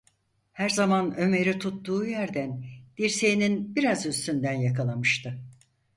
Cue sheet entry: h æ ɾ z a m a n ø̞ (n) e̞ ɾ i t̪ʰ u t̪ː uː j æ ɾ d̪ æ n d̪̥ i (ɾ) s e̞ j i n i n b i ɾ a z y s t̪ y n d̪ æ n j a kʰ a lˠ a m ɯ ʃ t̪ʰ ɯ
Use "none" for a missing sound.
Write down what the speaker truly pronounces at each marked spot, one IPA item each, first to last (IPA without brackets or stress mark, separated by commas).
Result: m, ɾ